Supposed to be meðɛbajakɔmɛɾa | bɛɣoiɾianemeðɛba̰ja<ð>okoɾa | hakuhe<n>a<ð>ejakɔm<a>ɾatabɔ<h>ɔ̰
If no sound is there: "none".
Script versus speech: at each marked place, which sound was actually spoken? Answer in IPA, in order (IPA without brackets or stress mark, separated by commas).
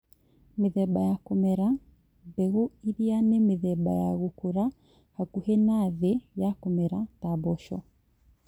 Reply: ɣ, n, ð, ɛ, ʃ